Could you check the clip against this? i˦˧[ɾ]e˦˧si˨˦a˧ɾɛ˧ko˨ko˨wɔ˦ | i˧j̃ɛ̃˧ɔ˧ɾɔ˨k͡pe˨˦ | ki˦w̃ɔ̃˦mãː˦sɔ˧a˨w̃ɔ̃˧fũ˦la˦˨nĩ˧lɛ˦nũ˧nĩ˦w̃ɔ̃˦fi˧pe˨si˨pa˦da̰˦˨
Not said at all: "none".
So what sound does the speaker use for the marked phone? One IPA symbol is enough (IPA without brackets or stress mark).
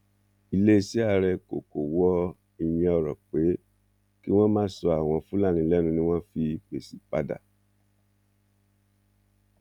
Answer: l